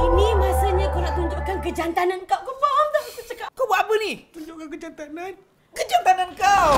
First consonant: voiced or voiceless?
voiced